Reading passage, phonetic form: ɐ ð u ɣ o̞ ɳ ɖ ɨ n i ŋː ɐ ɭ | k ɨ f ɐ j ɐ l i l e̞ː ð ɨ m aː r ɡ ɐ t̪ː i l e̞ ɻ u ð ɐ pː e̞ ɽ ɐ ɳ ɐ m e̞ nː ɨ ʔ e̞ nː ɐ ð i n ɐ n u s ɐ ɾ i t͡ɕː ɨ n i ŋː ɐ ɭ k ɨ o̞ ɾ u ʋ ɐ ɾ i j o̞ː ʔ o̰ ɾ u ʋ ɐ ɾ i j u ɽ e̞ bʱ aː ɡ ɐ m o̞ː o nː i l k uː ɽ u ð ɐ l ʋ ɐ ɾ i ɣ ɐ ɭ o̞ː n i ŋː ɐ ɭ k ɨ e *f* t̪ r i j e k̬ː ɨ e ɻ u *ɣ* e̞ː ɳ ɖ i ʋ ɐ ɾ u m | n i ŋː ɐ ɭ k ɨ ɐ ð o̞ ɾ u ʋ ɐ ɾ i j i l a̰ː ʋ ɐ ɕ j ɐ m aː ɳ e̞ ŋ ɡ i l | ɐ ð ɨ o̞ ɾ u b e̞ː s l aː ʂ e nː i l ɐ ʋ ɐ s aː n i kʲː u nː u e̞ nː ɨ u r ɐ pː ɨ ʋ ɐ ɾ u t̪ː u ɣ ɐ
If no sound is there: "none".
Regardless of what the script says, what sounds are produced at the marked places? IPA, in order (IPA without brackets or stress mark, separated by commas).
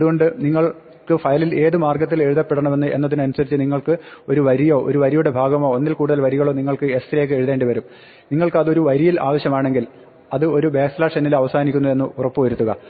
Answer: s, ð